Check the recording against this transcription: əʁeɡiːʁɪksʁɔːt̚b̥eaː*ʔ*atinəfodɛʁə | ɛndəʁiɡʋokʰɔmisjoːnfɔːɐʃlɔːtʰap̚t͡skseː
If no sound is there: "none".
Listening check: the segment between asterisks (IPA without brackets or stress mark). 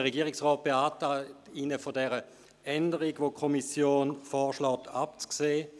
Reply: t